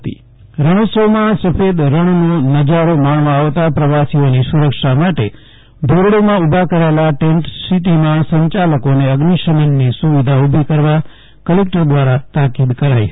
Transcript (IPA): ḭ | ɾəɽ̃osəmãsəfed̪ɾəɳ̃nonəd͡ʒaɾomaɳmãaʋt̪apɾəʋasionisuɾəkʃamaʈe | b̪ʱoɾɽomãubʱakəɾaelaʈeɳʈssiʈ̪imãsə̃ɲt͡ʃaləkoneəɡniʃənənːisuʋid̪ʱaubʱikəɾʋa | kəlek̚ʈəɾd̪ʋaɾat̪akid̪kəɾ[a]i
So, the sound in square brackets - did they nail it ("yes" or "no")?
yes